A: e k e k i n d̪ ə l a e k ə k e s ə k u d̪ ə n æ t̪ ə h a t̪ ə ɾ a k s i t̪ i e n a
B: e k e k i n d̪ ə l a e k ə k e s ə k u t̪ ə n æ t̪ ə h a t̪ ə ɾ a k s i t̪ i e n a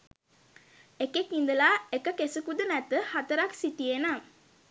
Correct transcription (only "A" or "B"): A